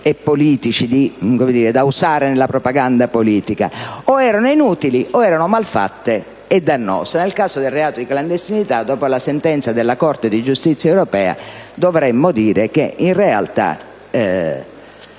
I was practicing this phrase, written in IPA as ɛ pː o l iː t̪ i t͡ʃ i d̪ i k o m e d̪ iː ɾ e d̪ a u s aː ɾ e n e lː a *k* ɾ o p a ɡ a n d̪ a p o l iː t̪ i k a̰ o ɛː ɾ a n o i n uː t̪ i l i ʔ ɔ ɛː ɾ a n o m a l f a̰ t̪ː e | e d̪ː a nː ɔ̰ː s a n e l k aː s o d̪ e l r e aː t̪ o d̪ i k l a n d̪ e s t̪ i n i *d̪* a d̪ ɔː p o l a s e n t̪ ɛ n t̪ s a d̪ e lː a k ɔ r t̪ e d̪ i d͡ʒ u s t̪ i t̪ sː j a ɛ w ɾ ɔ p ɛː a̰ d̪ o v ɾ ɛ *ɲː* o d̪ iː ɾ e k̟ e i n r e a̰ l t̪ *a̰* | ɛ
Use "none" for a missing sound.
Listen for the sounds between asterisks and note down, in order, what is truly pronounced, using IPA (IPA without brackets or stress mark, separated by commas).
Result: p, t̪, mː, a̰